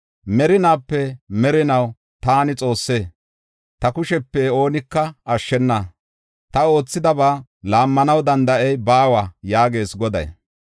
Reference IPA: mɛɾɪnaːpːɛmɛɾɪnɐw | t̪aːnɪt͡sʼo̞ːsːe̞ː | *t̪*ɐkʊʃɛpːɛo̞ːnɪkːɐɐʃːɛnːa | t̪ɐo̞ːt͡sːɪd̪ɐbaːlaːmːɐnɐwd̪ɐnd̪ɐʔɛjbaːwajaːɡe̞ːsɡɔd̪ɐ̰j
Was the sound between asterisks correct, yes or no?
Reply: yes